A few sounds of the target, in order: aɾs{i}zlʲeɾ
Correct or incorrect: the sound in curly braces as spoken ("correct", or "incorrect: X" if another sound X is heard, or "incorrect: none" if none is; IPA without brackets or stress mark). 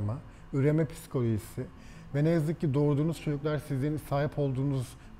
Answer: correct